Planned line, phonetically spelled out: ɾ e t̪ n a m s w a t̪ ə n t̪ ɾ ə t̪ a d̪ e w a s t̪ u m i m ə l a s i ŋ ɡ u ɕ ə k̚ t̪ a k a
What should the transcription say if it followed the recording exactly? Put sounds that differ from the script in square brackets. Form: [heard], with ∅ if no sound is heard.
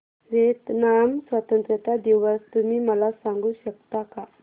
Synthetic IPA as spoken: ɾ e t̪ n a m s w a t̪ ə n t̪ ɾ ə t̪ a d̪ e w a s t̪ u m i m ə l a s [a] ŋ ɡ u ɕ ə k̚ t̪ a k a